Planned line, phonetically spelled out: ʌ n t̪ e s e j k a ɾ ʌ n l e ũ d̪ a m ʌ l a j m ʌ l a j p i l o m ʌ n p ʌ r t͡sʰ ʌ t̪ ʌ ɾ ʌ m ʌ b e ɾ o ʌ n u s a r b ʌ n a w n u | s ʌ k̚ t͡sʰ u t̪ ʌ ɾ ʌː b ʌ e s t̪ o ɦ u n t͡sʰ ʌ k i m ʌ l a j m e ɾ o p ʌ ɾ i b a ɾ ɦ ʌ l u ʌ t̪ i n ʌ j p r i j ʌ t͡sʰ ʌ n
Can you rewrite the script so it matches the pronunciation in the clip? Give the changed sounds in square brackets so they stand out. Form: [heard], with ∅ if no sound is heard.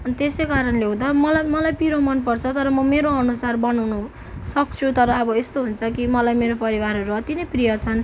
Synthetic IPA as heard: ʌ n t̪ e s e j k a ɾ ʌ n l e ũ d̪ a m ʌ l a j m ʌ l a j p i [ɾ] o m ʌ n p ʌ r t͡sʰ ʌ t̪ ʌ ɾ ʌ m ʌ [m] e ɾ o ʌ n u s a r b ʌ n a w n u | s ʌ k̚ t͡sʰ u t̪ ʌ ɾ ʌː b ʌ e s t̪ o ɦ u n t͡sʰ ʌ k i m ʌ l a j m e ɾ o p ʌ ɾ i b a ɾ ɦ ʌ [ɾ] u ʌ t̪ i n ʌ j p r i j ʌ t͡sʰ ʌ n